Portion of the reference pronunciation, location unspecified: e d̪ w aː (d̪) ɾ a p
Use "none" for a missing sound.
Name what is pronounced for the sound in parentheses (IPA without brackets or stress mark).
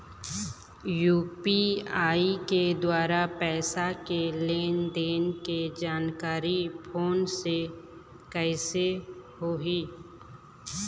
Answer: none